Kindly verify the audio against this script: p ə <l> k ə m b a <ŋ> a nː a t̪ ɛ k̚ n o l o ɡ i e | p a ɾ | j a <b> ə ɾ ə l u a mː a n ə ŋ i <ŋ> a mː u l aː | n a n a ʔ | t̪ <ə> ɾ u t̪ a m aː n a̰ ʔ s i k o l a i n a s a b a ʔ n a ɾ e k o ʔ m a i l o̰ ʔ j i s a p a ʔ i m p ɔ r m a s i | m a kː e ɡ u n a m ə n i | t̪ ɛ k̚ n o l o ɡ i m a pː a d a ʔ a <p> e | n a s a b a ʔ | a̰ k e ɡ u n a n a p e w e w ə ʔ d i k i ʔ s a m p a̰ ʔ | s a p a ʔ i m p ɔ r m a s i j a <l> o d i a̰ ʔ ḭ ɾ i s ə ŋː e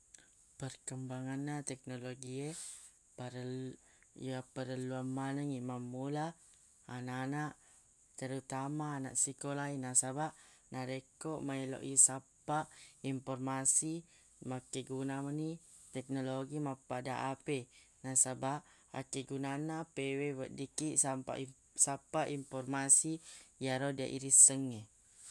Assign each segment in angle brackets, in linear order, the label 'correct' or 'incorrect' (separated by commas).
incorrect, correct, incorrect, incorrect, correct, correct, incorrect